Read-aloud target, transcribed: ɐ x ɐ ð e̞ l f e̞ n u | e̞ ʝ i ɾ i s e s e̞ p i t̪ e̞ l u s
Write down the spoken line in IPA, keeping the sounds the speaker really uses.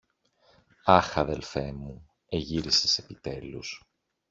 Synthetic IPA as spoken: ɐ x ɐ ð e̞ l f e̞ m u | e̞ ʝ i ɾ i s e s e̞ p i t̪ e̞ l u s